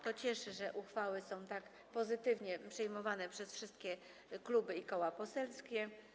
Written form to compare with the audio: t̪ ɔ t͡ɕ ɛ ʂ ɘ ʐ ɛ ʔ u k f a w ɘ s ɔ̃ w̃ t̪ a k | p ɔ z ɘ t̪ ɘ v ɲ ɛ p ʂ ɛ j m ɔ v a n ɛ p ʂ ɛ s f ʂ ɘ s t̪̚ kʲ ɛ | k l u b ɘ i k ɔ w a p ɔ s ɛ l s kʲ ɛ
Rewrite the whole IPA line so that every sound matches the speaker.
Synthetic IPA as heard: t̪ ɔ t͡ɕ ɛ ʂ ɘ ʐ ɛ ʔ u x f a w ɘ s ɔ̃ w̃ t̪ a k | p ɔ z ɘ t̪ ɘ v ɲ ɛ p ʂ ɛ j m ɔ v a n ɛ p ʂ ɛ s f ʂ ɘ s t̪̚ kʲ ɛ | k l u b ɘ i k ɔ w a p ɔ s ɛ l s kʲ ɛ